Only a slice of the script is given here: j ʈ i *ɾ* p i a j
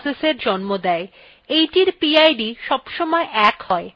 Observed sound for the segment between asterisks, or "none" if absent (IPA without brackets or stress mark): ɾ